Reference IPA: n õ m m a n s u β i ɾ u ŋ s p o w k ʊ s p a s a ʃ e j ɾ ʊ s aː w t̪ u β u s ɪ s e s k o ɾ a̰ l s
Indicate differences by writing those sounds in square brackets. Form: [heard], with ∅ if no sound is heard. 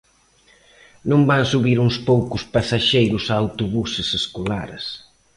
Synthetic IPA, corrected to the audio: n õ m [b] a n s u β i ɾ u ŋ s p o w k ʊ s p a s a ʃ e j ɾ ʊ s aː w t̪ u β u s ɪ s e s k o [l] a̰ [ɾ] s